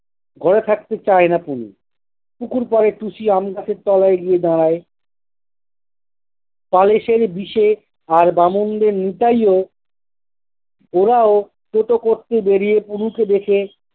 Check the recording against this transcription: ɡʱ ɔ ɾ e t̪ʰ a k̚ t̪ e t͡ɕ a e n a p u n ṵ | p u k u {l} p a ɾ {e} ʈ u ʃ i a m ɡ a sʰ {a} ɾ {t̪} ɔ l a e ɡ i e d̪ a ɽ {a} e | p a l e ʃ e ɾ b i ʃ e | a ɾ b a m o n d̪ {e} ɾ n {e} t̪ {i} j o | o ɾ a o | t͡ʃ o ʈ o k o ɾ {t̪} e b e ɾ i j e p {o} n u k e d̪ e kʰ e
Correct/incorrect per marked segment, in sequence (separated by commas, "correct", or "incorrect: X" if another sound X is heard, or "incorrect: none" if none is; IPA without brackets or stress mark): incorrect: ɾ, correct, incorrect: e, correct, correct, correct, incorrect: i, incorrect: a, correct, incorrect: u